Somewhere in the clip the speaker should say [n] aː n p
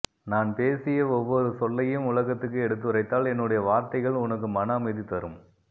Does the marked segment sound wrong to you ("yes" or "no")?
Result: no